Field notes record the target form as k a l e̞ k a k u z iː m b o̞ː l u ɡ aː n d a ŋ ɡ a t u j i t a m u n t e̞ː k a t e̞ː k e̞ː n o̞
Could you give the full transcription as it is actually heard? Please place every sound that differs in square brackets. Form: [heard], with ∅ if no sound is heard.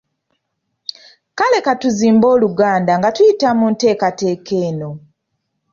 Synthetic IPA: k a l e̞ k a [t] u z iː m b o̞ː l u ɡ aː n d a ŋ ɡ a t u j i t a m u n t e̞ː k a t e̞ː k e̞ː n o̞

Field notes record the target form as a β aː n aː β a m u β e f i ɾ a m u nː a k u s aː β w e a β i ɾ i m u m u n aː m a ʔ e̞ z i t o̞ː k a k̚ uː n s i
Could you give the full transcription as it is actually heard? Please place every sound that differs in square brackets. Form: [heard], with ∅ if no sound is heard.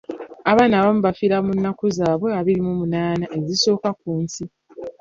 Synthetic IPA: a β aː n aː β a m u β [a] f i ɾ a m u nː a k u [z] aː β w e a β i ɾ i m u m u n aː [n] a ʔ e̞ z i [s] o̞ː k a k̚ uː n s i

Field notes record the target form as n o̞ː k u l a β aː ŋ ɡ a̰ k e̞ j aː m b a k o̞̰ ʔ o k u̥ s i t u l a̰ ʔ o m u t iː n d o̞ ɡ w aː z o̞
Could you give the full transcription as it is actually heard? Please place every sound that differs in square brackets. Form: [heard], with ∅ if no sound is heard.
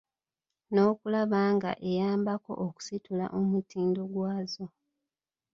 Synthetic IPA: n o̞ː k u l a β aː ŋ ɡ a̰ [ʔ] e̞ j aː m b a k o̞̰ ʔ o k u̥ s i t u l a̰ ʔ o m u t iː n d o̞ ɡ w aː z o̞

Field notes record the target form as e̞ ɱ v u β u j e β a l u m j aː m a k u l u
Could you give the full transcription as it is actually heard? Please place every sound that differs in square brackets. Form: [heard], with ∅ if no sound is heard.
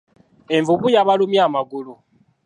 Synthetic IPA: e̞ ɱ v u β u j [a] β a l u m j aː m a [ɡ] u l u

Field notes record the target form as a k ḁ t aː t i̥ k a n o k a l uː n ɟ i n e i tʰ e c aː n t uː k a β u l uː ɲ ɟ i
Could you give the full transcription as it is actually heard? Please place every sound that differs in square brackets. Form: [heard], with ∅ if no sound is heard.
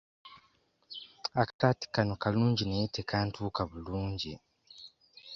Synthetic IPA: a k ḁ t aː t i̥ k a n o k a l uː [ɲ] ɟ i n e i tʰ e [k] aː n t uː k a β u l uː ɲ ɟ i

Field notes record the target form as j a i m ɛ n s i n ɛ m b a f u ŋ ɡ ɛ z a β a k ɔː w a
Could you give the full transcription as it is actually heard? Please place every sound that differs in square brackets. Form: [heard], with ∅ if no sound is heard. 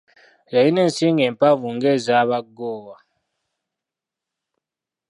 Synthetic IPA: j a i [n] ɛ n s i [ŋ] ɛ m [p] a [v] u ŋ ɡ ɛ z a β a [ɡ] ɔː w a

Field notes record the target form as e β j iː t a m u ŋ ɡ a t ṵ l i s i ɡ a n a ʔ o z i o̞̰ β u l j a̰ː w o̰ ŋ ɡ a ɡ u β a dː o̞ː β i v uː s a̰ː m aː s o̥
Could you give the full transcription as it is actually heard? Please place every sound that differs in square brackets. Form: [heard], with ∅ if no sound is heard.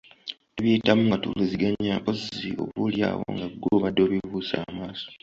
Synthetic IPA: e β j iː t a m u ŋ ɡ a t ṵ l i [z] i ɡ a [ɲ] a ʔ o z i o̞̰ β u l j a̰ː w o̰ ŋ ɡ a ɡ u β a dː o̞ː β i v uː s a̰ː m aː s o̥

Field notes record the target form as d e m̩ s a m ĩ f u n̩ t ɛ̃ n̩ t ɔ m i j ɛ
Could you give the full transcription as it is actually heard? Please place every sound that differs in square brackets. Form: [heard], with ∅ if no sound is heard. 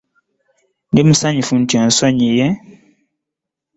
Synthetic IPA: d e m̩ s a [ɲ] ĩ f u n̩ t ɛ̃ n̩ [s] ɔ [ɲ] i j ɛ

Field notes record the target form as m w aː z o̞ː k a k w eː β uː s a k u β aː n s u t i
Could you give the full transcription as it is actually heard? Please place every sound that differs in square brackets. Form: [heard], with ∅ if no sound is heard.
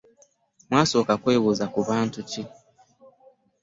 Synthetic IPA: m w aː [s] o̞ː k a k w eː β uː [z] a k u β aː n [t] u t i

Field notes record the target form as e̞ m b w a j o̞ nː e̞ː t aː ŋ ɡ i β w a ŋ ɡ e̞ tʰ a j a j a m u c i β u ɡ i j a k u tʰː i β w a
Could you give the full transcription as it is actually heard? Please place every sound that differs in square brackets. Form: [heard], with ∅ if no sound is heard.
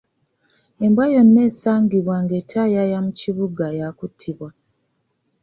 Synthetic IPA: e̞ m b w a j o̞ nː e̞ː [s] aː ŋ ɡ i β w a ŋ ɡ e̞ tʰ a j a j a m u c i β u ɡ [a] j a k u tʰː i β w a

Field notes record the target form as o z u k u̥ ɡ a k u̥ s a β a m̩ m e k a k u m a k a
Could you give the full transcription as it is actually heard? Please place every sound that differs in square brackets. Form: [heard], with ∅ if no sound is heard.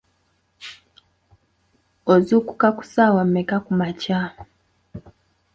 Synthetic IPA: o z u k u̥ [k] a k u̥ s a [w] a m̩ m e k a k u m a [c] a

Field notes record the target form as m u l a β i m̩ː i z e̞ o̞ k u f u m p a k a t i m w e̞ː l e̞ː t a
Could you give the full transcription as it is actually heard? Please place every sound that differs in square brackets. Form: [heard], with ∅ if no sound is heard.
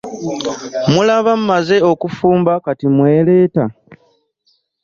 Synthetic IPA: m u l a β [a] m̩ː [a] z e̞ o̞ k u f [uː] m [b] a k a t i m w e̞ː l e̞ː t a

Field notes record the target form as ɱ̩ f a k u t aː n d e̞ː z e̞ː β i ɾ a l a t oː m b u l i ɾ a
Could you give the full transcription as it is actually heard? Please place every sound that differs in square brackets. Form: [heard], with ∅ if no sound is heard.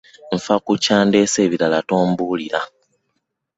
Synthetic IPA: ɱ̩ f a k u [c] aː n d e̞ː [s] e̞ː β i ɾ a l a t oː m b u l i ɾ a

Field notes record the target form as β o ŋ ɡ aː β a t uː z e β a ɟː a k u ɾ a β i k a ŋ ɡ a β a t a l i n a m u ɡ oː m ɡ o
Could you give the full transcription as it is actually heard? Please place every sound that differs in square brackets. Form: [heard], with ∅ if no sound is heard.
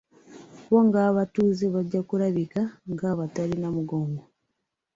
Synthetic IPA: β o ŋ ɡ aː β a t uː z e β a ɟː a k u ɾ a β i k a ŋ ɡ a β a t a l i n a m u ɡ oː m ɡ o

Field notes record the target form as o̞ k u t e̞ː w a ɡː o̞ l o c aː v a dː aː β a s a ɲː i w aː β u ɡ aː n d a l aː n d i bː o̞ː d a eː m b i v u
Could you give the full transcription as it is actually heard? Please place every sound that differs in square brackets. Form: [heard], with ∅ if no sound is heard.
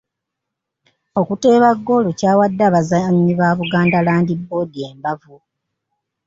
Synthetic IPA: o̞ k u t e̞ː [β] a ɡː o̞ l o c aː [w] a dː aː β a [z] a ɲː i [β] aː β u ɡ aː n d a l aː n d i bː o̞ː d [i] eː m b [a] v u

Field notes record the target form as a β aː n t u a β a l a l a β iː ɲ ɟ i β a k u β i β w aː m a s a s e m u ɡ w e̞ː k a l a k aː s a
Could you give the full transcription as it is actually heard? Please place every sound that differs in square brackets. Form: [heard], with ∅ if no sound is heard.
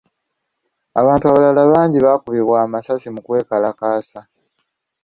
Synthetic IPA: a β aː n t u a β a l a l a β [aː] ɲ ɟ i β a k u β i β w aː m a s a s [i] m u [k] w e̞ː k a l a k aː s a

